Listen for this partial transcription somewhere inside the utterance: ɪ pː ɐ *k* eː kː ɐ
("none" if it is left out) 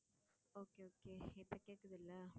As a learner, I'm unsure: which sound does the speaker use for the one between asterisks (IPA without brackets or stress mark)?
k